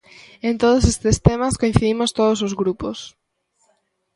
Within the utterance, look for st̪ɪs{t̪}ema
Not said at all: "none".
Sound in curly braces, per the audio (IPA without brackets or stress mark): t̪